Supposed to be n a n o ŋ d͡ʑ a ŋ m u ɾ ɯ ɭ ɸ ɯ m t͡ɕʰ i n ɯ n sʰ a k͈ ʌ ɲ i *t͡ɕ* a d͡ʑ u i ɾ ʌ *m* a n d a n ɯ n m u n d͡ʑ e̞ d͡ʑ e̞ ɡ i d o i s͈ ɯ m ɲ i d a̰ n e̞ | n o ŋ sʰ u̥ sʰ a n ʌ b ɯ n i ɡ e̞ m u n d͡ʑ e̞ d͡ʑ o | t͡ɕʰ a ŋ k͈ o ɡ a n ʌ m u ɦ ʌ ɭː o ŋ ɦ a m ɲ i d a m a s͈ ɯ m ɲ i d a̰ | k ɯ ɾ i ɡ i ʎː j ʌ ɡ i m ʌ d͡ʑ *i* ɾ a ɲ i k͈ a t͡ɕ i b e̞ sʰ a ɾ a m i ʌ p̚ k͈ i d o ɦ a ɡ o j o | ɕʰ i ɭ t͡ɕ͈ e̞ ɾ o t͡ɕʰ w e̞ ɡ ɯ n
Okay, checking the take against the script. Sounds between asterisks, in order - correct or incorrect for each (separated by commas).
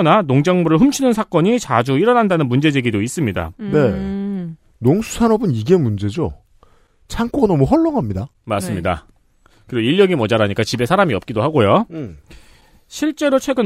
correct, incorrect, incorrect